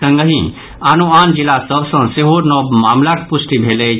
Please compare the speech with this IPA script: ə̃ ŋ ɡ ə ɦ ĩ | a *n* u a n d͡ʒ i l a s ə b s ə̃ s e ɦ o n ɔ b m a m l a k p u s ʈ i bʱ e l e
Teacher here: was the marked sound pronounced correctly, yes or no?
yes